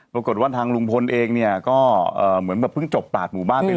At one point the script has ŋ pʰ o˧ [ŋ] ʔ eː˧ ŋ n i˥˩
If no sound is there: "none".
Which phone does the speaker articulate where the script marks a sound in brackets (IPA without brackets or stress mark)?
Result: n